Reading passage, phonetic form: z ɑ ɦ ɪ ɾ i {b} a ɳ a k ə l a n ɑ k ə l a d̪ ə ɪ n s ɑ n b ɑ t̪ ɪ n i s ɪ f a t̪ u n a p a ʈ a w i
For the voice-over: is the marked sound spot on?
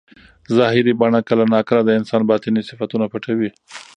yes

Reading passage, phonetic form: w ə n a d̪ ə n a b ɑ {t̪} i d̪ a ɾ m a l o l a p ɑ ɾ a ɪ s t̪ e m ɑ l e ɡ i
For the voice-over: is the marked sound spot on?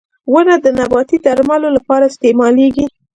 yes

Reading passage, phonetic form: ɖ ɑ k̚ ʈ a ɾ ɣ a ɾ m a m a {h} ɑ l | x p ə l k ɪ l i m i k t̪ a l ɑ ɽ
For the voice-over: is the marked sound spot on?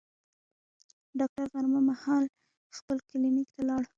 yes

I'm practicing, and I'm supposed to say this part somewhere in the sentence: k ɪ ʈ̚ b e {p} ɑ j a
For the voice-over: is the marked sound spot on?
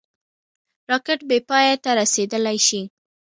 yes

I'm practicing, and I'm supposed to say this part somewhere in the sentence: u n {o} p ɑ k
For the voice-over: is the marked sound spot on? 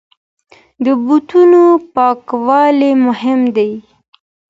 yes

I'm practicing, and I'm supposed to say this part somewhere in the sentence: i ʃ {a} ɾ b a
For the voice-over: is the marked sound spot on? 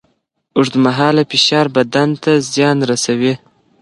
no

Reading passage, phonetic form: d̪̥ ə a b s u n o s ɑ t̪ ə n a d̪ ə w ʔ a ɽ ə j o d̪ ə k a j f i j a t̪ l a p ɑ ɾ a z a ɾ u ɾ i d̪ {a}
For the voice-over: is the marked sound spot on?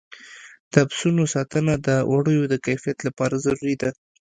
yes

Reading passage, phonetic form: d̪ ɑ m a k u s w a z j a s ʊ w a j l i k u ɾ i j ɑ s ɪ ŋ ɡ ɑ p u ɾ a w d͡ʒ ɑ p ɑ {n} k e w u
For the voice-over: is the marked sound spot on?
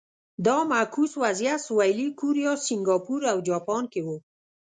yes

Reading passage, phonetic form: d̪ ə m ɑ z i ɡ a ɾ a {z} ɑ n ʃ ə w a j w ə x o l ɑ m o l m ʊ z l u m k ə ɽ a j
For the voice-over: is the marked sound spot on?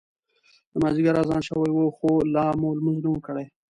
yes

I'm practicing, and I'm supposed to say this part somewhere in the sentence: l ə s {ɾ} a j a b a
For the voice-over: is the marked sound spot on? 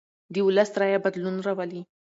yes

